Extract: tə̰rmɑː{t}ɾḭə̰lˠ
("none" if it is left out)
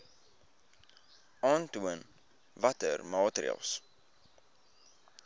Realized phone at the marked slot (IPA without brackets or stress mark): t